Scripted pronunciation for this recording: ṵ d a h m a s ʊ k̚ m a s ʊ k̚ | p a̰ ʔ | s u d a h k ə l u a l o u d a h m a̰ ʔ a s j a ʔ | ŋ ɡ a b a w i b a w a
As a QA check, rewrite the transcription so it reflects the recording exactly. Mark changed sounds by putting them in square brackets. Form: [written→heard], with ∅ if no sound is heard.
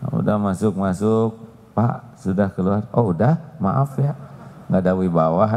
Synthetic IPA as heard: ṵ d a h m a s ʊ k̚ m a s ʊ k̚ | p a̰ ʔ | s u d a h k ə l u a [l→r] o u d a h m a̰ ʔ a [s→f] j a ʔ | ŋ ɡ a [b→d] a w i b a w a

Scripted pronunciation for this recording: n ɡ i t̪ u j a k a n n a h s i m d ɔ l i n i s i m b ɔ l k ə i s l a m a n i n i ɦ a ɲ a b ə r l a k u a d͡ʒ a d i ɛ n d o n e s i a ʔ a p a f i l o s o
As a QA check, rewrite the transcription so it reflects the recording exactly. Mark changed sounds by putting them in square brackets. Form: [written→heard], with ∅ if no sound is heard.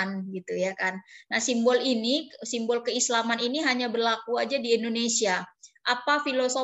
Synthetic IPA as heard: n ɡ i t̪ u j a k a n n a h s i m [d→b] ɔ l i n i s i m b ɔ l k ə i s l a m a n i n i ɦ a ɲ a b ə r l a k u a d͡ʒ a d i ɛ n d o n e s i a ʔ a p a f i l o s o

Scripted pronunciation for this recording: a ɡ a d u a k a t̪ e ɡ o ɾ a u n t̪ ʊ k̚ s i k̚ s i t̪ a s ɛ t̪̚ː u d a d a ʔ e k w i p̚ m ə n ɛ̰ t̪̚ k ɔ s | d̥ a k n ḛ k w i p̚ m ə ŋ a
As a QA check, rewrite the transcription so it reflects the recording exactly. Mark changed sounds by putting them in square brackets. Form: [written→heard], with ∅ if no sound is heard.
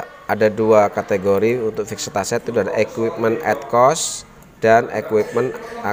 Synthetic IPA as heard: a [ɡ→d] a d u a k a t̪ e ɡ o ɾ [a→i] u n t̪ ʊ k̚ [s→f] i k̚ s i t̪ a s ɛ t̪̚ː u d a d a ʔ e k w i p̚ m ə n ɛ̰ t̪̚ k ɔ s | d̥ a [k→∅] n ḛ k w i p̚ m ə [ŋ→n] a

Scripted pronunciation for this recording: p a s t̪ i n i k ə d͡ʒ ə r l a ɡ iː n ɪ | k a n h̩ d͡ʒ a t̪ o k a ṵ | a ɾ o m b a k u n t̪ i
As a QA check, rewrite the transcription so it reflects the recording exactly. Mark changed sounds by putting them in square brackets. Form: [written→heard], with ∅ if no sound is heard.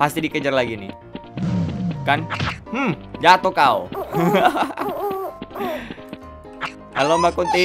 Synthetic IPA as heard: p a s t̪ i [n→d] i k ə d͡ʒ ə r l a ɡ [iː→i] n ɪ | k a n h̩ d͡ʒ a t̪ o k a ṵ | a [ɾ→l] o m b a k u n t̪ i

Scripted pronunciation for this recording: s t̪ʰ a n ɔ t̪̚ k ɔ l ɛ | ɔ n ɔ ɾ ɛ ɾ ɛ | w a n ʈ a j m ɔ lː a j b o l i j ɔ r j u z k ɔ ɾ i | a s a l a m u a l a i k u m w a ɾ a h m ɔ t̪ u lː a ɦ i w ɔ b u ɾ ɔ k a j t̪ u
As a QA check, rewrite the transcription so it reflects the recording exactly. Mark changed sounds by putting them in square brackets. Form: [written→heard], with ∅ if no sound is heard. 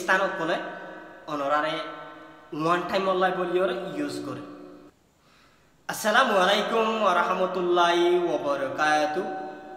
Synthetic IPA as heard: s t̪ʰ a n ɔ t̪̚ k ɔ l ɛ | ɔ n ɔ ɾ [ɛ→a] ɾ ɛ | w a n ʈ a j m ɔ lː a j b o l i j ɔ [r→ɾ] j u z k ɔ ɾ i | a s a l a m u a l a [i→j] k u m w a ɾ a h m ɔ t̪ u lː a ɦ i w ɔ b [u→ɔ] ɾ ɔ k a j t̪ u

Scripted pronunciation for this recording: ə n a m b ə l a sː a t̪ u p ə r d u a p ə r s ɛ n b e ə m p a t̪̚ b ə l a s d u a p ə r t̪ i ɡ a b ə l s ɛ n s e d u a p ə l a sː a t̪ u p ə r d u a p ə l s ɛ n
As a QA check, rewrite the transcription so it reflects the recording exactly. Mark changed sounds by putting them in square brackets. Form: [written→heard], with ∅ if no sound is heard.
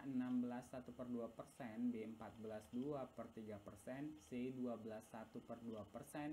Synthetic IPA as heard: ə n a m b ə l a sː a t̪ u p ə r d u a p ə r s ɛ n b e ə m p a t̪̚ b ə l a s d u a p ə r t̪ i ɡ a [b→p] ə [l→r] s ɛ n s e d u a [p→b] ə l a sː a t̪ u p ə r d u a p ə [l→r] s ɛ n

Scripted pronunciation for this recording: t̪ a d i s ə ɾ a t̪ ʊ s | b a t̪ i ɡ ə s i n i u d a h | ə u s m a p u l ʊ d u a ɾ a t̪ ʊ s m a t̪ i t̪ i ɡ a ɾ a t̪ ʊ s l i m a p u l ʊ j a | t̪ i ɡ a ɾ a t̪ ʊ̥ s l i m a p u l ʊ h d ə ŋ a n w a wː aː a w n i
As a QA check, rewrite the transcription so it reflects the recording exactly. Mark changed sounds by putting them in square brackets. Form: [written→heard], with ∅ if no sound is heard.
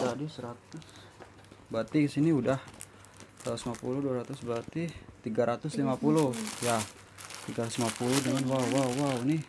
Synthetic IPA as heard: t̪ a d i s ə ɾ a t̪ ʊ s | b a t̪ i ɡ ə s i n i u d a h | [ə→a] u s m a p u l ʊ d u a ɾ a t̪ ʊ s [m→b] a t̪ i t̪ i ɡ a ɾ a t̪ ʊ s l i m a p u l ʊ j a | t̪ i ɡ a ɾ a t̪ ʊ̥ s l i m a p u l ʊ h d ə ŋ a n w a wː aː a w n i

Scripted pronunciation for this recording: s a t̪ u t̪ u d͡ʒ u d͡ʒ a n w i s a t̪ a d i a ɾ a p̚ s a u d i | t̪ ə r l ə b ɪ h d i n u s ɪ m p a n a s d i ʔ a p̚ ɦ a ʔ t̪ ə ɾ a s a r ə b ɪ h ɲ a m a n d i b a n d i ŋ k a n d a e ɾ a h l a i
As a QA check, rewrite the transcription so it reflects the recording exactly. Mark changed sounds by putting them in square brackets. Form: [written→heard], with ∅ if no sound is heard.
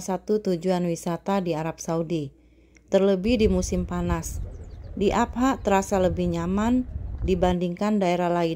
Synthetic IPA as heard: s a t̪ u t̪ u d͡ʒ u [d͡ʒ→∅] a n w i s a t̪ a d i a ɾ a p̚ s a u d i | t̪ ə r l ə b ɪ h d i [n→m] u s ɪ m p a n a s d i ʔ a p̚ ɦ a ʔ t̪ ə ɾ a s a [r→l] ə b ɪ h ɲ a m a n d i b a n d i ŋ k a n d a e ɾ a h l a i

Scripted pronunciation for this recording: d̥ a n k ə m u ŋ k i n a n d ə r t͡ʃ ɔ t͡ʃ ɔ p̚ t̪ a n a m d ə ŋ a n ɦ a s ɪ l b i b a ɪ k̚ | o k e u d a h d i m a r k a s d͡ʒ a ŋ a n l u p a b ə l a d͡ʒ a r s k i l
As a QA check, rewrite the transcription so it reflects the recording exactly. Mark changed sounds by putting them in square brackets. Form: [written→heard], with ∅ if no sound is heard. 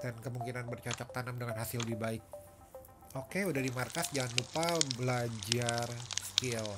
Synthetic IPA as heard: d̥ a n k ə m u ŋ k i n a n [d→b] ə r t͡ʃ ɔ t͡ʃ ɔ [p̚→k̚] t̪ a n a m d ə ŋ a n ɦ a s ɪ l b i b a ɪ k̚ | o k e u d a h d i m a r k a s d͡ʒ a ŋ a n l u p a b ə l a d͡ʒ a r s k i l

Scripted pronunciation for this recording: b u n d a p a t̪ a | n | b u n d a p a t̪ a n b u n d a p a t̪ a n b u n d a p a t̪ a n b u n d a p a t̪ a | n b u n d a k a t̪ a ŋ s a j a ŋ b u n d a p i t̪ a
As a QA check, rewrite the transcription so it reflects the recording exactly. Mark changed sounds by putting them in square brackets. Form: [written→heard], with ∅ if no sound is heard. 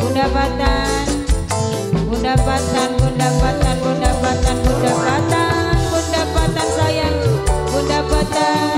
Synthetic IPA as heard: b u n d a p a t̪ a | n | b u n d a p a t̪ a n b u n d a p a t̪ a n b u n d a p a t̪ a n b u n d a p a t̪ a | n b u n d a [k→p] a t̪ a [ŋ→n] s a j a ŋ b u n d a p [i→a] t̪ a

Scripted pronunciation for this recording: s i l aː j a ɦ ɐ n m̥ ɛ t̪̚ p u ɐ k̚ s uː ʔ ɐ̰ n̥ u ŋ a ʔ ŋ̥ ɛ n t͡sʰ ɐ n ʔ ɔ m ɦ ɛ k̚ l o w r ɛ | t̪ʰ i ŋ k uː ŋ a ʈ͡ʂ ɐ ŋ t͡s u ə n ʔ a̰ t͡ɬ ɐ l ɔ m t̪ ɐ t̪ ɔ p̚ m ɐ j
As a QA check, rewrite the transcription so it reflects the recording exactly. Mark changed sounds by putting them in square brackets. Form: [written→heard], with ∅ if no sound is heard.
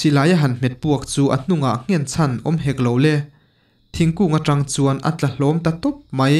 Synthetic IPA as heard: s i l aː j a ɦ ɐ n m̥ ɛ t̪̚ p u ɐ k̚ [s→t͡s] uː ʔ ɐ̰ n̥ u ŋ a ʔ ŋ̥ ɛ n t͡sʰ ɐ n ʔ ɔ m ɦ ɛ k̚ l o w [r→l] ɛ | t̪ʰ i ŋ k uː ŋ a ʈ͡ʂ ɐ ŋ t͡s u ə n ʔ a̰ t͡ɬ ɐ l ɔ m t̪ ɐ t̪ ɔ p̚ m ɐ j

